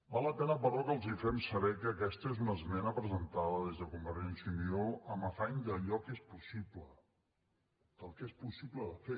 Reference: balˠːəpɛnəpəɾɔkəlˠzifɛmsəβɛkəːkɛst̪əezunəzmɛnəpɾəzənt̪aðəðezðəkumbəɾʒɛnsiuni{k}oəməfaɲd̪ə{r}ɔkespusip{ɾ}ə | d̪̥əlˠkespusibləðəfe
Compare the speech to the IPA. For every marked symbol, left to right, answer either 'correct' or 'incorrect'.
incorrect, incorrect, incorrect

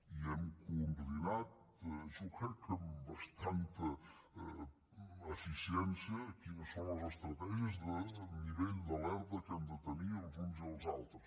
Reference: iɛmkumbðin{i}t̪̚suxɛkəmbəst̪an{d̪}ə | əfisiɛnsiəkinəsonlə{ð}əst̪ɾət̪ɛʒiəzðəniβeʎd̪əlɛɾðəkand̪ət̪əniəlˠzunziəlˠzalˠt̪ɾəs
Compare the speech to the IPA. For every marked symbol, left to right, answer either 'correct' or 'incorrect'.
incorrect, incorrect, incorrect

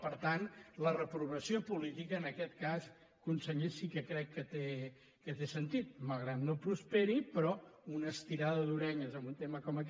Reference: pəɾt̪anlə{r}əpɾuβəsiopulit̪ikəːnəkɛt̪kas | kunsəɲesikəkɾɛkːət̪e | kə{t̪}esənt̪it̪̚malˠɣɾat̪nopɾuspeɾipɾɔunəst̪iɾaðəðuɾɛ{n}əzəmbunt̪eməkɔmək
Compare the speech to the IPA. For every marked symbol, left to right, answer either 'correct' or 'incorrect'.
correct, correct, incorrect

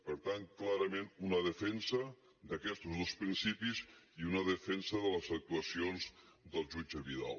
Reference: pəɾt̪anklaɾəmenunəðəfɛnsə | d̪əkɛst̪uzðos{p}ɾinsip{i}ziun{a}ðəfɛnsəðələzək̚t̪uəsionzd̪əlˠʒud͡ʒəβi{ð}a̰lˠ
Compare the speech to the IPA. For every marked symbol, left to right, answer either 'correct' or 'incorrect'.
correct, correct, incorrect, correct

